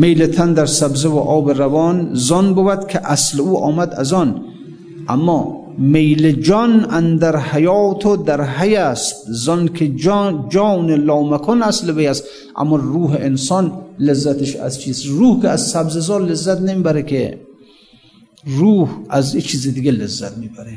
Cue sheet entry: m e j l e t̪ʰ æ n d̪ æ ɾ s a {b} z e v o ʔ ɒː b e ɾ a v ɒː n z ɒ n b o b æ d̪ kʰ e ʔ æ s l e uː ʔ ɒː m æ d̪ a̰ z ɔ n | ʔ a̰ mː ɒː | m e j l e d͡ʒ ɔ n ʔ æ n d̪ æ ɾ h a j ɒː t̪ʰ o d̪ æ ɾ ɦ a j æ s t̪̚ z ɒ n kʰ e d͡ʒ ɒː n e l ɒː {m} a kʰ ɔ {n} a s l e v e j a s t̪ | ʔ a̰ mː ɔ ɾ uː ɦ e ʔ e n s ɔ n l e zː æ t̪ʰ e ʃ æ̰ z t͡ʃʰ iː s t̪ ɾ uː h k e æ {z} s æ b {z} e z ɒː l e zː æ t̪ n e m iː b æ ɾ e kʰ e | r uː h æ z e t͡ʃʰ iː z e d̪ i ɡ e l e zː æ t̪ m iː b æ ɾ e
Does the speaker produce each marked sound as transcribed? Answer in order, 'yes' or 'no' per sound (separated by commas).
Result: yes, yes, yes, yes, yes